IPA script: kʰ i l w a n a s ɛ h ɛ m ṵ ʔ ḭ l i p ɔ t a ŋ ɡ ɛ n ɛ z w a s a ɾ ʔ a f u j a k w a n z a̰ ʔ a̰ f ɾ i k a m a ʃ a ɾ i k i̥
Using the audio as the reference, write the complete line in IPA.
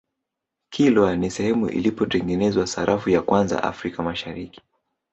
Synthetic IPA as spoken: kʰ i l w a n i s ɛ h ɛ m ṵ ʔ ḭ l i p ɔ t ɛ ŋ ɡ ɛ n ɛ z w a s a ɾ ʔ a f u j a k w a n z a̰ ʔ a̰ f ɾ i k a m a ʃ a ɾ i k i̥